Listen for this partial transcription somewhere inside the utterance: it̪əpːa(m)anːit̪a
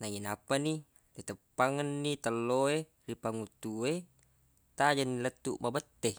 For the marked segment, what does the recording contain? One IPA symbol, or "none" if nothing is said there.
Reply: ŋ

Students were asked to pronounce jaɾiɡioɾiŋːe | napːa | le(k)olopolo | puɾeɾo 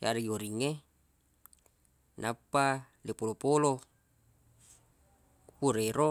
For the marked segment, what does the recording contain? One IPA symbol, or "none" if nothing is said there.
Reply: p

